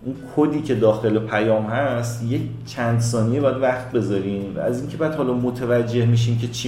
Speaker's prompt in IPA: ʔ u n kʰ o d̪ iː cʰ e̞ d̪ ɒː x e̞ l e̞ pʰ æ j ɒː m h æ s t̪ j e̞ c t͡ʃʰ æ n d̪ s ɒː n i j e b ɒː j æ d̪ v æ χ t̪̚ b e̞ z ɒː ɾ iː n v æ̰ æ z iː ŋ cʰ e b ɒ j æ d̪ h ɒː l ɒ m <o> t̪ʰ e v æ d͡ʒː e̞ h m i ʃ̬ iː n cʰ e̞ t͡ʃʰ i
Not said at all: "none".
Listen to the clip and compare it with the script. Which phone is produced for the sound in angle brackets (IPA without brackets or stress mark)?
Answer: o